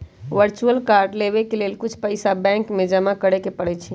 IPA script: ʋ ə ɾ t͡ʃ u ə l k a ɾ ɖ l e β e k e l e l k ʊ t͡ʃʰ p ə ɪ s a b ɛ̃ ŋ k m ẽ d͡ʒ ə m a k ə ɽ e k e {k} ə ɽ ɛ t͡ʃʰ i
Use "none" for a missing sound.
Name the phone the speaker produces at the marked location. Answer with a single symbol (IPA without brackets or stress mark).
p